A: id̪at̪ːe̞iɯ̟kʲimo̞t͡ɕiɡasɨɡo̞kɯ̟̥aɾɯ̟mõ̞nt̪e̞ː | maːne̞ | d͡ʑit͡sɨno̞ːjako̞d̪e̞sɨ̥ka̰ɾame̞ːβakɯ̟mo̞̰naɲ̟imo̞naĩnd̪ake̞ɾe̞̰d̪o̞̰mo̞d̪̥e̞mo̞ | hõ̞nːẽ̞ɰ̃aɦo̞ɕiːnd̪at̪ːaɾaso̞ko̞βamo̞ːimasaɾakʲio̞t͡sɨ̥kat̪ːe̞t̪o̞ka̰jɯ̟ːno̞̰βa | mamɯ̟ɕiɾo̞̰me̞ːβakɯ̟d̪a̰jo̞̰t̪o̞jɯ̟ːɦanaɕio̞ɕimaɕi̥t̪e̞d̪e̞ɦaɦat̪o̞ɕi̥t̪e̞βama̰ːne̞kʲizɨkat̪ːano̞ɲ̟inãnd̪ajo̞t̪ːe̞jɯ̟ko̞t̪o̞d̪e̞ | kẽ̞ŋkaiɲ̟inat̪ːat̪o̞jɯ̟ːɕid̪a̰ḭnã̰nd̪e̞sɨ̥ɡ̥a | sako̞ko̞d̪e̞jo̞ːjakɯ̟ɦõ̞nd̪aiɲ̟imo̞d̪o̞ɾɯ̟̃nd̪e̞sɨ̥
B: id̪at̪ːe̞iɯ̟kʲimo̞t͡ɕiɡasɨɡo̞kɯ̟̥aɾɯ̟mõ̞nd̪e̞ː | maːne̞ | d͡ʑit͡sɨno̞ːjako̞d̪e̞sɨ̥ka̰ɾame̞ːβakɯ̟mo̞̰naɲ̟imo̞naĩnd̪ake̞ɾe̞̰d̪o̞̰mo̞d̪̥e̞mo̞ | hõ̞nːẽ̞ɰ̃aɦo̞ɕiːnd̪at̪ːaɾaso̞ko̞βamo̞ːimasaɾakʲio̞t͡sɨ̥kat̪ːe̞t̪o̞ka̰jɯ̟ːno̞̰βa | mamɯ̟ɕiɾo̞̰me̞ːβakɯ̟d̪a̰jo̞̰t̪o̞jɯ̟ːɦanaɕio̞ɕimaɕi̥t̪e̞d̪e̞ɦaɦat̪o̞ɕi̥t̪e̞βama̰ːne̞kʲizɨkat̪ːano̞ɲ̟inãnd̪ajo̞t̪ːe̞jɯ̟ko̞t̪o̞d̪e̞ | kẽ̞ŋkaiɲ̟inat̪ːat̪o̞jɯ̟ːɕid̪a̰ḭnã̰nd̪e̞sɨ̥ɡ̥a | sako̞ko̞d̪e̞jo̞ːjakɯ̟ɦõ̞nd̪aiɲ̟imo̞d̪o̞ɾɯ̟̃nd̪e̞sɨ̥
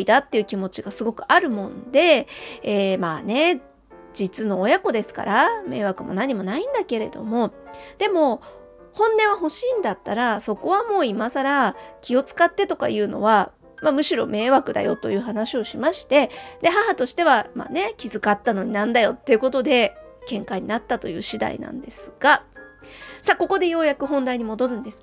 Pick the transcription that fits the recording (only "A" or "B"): B